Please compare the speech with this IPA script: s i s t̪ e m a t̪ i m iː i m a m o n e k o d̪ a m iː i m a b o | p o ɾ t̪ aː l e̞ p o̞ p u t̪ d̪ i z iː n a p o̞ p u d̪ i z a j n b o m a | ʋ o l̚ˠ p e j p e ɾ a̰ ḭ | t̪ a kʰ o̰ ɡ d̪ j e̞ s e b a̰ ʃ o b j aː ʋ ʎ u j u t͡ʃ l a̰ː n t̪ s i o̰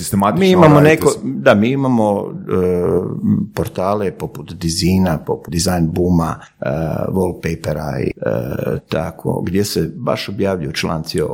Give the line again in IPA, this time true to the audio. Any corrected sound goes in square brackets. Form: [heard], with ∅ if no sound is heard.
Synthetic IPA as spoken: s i s t̪ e m a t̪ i m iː i m a m o n e k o d̪ a m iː i m a [m] o | p o ɾ t̪ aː l e̞ p o̞ p u t̪ d̪ i z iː n a p o̞ p u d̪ i z a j n b [u] m a | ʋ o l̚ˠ p e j p e ɾ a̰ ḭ | t̪ a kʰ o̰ ɡ d̪ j e̞ s e b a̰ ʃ o b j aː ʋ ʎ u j u t͡ʃ l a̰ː n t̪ s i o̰